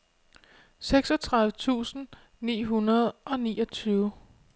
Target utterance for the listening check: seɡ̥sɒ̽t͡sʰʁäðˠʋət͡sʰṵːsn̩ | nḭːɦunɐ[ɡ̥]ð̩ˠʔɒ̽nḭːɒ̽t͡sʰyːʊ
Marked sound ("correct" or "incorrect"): incorrect